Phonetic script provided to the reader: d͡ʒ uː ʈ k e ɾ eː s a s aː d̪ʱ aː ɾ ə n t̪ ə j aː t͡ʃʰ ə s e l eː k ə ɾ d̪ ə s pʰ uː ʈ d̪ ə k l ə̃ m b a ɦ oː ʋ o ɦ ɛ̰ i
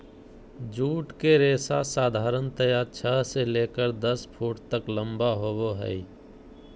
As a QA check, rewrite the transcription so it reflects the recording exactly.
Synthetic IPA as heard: d͡ʒ uː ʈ k e ɾ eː s a s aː d̪ʱ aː ɾ ə n t̪ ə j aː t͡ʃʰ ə s e l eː k ə ɾ d̪ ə s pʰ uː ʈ t̪ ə k l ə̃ m b a ɦ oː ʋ o ɦ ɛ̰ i